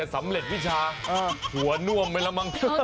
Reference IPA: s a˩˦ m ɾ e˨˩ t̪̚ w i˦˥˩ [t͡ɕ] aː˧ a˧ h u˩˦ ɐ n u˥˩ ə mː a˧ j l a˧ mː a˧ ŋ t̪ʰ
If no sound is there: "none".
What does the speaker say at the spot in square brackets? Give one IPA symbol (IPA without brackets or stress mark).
t͡ɕʰ